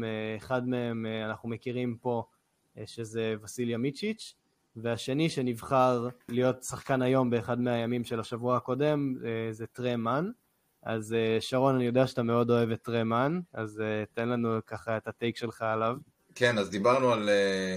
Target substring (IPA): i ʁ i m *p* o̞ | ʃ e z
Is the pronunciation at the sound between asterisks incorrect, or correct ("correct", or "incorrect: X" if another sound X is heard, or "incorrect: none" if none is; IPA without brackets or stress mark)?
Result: correct